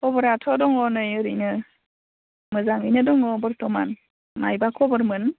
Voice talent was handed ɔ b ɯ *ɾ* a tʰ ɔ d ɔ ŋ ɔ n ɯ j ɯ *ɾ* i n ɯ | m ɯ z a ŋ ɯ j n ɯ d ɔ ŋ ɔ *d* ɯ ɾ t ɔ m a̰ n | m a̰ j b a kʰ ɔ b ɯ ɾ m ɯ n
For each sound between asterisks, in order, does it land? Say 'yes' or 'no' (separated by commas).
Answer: yes, yes, no